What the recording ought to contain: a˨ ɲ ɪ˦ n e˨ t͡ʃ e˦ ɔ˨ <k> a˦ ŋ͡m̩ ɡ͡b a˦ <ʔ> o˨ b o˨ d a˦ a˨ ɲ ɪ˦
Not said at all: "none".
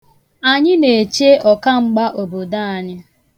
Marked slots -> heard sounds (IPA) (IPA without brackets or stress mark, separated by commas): k, ʔ